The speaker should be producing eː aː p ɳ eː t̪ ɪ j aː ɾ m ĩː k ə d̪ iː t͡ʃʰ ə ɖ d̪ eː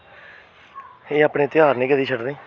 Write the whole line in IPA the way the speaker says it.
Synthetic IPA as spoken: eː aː p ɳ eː t̪ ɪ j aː ɾ n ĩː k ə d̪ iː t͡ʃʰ ə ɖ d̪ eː

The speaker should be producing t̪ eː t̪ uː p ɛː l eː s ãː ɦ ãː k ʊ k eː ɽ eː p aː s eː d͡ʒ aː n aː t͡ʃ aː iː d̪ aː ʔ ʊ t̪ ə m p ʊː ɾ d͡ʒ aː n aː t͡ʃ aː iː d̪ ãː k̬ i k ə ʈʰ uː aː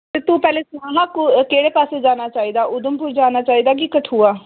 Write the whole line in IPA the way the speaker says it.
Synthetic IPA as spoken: t̪ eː t̪ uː p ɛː l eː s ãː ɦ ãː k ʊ k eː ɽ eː p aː s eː d͡ʒ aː n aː t͡ʃ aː iː d̪ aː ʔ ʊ d̪ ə m p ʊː ɾ d͡ʒ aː n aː t͡ʃ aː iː d̪ aː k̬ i k ə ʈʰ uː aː

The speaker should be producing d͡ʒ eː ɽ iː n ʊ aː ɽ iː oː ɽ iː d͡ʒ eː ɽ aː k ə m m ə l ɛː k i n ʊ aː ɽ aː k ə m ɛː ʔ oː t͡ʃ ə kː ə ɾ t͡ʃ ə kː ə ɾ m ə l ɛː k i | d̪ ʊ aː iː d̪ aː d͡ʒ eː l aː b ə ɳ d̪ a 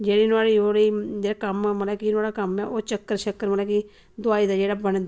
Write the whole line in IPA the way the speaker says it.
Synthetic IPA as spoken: d͡ʒ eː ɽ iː n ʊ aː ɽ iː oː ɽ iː d͡ʒ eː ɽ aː k ə m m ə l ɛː k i n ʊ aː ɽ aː k ə m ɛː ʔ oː t͡ʃ ə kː ə ɾ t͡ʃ ə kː ə ɾ m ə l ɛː k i | d̪ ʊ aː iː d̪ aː d͡ʒ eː ɽ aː b ə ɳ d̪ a

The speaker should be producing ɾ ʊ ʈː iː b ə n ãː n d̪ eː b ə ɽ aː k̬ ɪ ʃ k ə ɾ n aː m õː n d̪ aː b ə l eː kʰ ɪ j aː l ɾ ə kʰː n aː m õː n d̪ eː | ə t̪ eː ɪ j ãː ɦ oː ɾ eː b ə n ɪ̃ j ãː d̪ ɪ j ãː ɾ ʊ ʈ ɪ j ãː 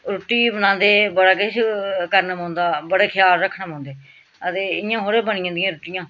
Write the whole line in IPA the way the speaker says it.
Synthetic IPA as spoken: ɾ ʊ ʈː iː b ə n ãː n d̪ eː b ə ɽ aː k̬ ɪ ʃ k ə ɾ n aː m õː n d̪ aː b ə ɽ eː kʰ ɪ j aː l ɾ ə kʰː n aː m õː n d̪ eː | ə t̪ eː ɪ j ãː ɦ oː ɾ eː b ə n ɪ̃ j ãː d̪ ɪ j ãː ɾ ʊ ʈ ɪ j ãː

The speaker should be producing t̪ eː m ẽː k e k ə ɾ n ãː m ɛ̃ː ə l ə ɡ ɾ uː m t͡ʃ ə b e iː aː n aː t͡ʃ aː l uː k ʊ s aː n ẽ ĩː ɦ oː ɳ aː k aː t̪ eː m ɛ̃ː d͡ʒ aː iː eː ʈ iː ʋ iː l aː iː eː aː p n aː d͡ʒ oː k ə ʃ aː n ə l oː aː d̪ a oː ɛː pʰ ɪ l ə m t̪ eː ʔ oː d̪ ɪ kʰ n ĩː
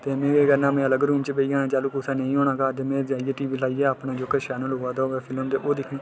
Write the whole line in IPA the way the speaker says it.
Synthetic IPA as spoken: t̪ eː m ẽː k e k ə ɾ n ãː m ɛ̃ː ə l ə ɡ ɾ uː m t͡ʃ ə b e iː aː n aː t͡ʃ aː l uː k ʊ s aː n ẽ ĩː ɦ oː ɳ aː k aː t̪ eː m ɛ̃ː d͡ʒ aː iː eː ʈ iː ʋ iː l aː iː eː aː p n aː d͡ʒ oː k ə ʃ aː n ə l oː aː d̪ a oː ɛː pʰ ɪ l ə m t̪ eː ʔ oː d̪ ɪ kʰ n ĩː

